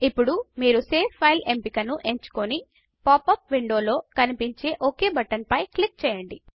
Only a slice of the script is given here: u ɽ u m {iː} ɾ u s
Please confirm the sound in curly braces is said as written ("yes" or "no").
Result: yes